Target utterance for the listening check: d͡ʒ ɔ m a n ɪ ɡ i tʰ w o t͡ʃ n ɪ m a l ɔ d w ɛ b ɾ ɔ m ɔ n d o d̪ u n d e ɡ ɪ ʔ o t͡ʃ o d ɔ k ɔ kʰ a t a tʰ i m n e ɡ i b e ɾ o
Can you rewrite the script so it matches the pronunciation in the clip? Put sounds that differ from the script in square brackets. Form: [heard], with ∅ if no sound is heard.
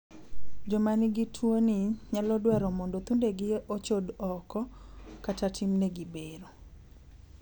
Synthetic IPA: d͡ʒ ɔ m a n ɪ ɡ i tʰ w o [∅] n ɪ [ɲ] a l ɔ d w ɛ [∅] ɾ ɔ m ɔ n d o [t̪] u n d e ɡ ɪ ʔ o t͡ʃ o d ɔ k ɔ [k] a t a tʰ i m n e ɡ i b e ɾ o